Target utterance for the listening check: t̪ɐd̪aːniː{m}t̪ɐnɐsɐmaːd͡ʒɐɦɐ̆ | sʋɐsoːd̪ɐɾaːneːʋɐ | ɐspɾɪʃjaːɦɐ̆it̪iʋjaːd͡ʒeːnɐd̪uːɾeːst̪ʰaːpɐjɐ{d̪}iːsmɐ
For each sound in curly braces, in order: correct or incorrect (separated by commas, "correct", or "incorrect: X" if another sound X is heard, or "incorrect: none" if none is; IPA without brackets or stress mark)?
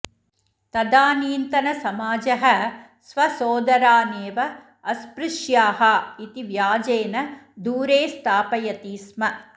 incorrect: n, incorrect: t̪